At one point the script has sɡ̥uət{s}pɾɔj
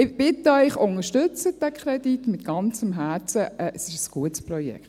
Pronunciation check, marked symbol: correct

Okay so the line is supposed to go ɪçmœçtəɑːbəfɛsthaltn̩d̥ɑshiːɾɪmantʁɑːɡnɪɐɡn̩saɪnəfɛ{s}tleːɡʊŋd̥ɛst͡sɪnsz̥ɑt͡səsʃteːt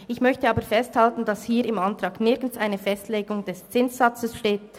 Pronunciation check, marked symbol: correct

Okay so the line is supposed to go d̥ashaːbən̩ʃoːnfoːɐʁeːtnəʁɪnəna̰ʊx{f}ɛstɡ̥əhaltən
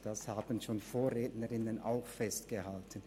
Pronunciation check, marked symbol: correct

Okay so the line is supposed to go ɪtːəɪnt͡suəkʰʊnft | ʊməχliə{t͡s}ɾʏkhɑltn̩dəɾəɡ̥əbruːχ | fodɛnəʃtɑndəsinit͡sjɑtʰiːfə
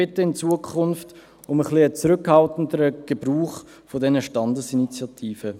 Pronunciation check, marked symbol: correct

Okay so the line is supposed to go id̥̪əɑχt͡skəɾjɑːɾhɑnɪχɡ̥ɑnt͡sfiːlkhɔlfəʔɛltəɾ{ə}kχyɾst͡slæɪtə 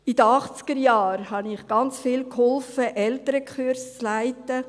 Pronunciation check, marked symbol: correct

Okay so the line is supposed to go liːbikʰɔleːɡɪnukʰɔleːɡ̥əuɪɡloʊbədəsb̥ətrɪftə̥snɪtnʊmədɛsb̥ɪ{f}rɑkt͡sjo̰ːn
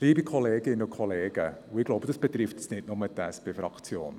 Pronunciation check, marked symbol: correct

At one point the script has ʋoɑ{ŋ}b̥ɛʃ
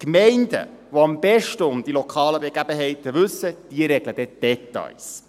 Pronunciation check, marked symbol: incorrect: m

